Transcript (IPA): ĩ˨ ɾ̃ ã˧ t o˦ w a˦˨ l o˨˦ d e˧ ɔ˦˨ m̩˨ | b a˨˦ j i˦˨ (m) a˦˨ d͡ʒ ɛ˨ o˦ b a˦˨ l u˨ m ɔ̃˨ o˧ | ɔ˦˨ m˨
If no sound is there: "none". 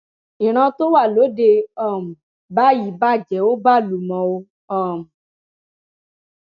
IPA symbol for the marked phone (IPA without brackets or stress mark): b